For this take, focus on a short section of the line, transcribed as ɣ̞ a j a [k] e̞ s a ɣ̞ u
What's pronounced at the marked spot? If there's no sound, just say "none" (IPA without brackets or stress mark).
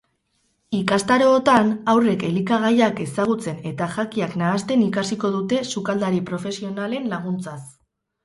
k